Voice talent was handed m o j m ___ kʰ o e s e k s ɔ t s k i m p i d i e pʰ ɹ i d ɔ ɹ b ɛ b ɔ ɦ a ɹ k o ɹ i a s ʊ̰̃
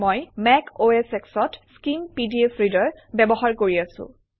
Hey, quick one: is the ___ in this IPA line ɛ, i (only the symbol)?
ɛ